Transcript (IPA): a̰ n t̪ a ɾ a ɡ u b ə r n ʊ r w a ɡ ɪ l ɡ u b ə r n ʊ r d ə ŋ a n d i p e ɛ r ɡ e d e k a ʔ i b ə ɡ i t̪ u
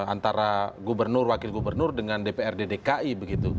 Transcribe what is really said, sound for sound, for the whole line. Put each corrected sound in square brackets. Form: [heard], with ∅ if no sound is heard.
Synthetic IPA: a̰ n t̪ a ɾ a ɡ u b ə r n ʊ r w a [k] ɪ l ɡ u b ə r n ʊ r d ə ŋ a n d [e] p e ɛ r [d] e d e k a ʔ i b ə ɡ i t̪ u